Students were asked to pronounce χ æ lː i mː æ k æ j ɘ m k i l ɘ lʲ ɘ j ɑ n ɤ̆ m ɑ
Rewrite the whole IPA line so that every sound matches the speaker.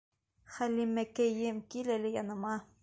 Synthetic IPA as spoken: χ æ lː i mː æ k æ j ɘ m k i l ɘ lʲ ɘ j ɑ n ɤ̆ m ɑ